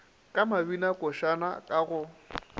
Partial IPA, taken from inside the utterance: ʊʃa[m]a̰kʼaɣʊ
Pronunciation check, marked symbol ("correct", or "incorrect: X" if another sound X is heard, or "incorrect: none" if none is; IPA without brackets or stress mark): incorrect: n